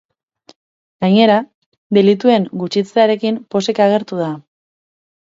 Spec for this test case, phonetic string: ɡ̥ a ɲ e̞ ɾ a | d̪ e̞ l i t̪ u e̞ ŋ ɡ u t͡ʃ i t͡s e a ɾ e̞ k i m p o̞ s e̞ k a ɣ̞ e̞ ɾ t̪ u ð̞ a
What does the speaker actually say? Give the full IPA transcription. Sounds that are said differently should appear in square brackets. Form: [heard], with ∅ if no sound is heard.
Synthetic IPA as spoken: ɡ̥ a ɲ e̞ ɾ a | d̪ e̞ l i t̪ u e̞ ŋ ɡ u t͡ʃ i t͡s e a ɾ e̞ k i m p o̞ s e̞ k a ɣ̞ e̞ ɾ t̪ u ð̞ a